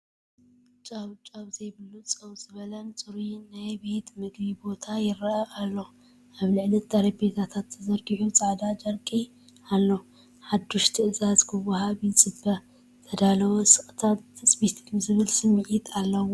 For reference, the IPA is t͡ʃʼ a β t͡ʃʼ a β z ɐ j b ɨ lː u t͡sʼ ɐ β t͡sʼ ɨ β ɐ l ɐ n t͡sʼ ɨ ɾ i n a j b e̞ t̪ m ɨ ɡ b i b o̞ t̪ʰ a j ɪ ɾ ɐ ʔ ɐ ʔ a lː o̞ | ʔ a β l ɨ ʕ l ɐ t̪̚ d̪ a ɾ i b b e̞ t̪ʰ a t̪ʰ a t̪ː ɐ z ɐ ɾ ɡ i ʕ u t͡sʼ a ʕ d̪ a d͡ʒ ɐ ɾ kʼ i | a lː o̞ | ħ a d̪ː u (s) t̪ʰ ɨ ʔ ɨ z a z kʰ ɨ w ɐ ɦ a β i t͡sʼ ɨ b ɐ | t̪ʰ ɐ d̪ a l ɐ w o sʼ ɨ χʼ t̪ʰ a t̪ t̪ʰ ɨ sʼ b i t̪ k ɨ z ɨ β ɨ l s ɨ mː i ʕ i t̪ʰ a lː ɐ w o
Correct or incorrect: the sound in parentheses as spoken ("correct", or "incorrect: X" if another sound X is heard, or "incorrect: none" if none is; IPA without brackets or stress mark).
incorrect: ʃ